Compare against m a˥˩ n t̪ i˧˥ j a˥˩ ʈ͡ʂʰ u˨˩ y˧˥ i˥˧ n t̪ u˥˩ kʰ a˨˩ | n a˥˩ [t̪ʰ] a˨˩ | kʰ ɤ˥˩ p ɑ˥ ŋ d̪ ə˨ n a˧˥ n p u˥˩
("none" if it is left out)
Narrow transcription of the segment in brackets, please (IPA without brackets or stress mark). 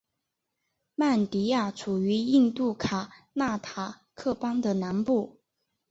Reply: t̪ʰ